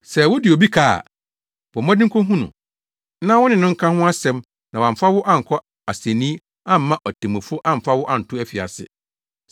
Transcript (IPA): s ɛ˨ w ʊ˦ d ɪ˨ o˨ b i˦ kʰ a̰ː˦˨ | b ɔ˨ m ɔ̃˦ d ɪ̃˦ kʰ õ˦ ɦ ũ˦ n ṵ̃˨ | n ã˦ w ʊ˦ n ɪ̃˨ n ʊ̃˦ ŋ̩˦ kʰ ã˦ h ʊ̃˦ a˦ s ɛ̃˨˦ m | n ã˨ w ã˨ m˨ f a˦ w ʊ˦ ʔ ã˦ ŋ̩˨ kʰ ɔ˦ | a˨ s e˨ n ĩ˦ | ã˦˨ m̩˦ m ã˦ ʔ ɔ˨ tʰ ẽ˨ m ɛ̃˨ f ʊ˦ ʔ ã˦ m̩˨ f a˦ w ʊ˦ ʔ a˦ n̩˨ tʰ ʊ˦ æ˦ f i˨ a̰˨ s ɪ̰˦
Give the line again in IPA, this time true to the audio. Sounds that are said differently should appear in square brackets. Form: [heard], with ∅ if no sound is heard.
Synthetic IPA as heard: s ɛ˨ w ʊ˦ d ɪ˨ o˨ b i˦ kʰ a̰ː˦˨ | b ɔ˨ m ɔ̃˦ d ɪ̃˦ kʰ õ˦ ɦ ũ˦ n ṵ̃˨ | n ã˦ w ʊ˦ n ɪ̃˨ n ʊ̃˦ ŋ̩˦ kʰ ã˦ h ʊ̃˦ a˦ s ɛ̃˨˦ m | n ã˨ w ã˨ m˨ f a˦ w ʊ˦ ʔ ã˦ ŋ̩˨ kʰ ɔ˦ | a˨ s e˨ n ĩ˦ | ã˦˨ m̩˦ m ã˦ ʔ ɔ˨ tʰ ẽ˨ m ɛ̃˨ f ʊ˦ ʔ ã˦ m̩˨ f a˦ w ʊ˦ ʔ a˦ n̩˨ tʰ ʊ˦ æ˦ f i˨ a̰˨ s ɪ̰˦